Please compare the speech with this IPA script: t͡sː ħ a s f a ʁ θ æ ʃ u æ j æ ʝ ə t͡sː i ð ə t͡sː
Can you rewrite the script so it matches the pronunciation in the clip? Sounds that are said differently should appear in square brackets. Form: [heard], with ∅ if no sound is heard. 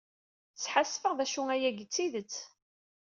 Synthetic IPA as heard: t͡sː ħ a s f [ə] ʁ [ð] æ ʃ u æ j æ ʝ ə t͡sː i ð ə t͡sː